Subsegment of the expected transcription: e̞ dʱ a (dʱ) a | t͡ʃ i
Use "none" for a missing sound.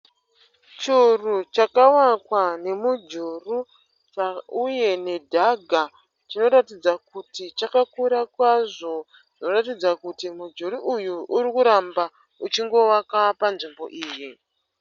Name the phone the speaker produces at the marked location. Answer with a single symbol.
ɡʱ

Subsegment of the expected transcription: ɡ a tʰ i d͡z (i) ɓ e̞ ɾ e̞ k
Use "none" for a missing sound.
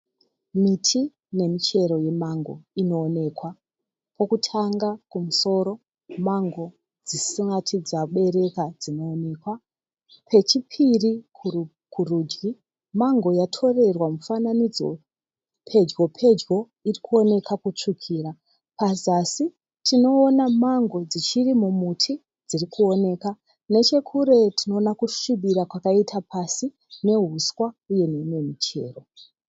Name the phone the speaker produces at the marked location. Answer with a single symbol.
a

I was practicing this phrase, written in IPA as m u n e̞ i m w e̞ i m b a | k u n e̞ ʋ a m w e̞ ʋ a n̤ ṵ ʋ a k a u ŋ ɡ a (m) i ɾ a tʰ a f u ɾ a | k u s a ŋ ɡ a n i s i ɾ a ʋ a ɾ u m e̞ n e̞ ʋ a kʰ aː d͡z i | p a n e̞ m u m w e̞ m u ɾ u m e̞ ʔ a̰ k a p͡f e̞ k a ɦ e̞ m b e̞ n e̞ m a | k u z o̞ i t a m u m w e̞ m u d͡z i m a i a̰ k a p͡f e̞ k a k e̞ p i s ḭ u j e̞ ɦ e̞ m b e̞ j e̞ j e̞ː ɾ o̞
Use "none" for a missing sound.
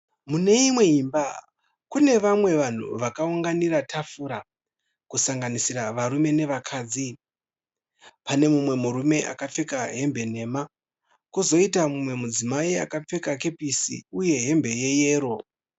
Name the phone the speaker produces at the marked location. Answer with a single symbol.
n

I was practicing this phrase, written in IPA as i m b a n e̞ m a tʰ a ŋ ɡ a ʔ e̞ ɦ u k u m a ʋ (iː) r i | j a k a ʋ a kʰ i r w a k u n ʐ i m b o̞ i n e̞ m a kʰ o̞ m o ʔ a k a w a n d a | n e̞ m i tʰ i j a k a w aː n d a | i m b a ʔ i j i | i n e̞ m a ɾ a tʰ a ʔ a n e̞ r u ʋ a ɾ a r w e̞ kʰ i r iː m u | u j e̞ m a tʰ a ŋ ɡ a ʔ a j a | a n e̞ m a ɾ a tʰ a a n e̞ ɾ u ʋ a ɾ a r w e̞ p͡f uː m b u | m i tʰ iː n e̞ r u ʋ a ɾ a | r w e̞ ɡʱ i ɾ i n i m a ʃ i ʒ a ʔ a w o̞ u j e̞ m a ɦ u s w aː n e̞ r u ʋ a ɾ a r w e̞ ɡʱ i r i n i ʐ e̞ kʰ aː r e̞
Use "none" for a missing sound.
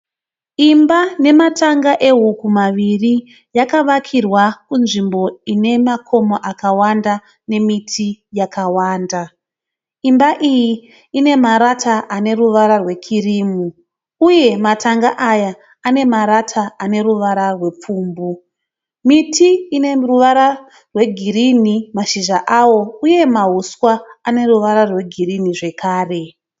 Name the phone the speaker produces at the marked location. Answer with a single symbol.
i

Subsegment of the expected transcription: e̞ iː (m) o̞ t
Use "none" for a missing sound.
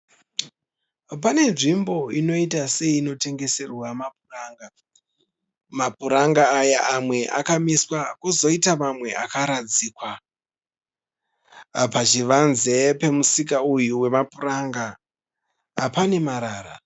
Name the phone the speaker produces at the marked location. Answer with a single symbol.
n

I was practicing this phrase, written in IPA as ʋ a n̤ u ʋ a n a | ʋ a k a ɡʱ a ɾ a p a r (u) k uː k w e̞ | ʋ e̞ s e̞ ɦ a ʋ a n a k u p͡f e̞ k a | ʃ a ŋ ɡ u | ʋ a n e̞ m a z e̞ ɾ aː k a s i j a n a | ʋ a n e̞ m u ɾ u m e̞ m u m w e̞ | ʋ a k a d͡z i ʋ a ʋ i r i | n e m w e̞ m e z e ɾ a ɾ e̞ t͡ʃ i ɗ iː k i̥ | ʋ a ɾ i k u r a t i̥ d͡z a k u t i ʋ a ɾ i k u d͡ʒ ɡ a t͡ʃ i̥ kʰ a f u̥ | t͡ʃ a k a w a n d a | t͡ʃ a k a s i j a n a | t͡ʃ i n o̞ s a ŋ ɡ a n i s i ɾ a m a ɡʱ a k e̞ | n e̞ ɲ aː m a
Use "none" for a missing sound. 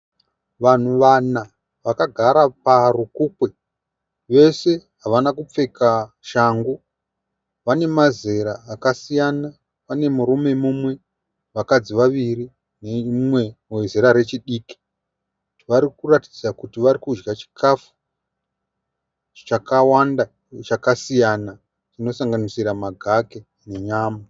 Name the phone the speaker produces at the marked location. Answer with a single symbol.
u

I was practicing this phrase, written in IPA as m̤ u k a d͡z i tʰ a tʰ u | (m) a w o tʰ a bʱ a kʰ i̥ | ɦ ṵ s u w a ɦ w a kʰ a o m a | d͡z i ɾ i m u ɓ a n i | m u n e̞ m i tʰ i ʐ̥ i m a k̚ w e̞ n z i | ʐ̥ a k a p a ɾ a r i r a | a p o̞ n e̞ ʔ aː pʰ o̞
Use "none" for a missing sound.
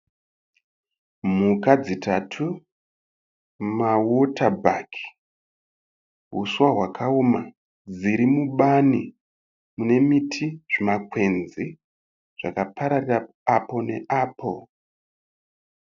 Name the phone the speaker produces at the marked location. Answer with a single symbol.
m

